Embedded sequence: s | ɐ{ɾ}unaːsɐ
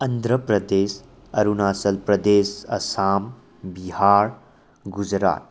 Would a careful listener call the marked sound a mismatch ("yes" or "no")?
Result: no